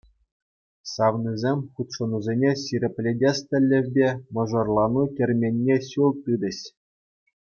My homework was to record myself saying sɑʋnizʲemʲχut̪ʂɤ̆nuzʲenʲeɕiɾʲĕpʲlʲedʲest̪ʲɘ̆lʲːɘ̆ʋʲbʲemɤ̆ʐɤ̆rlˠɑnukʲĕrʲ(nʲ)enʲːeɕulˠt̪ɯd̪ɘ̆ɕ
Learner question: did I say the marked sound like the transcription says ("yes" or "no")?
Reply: no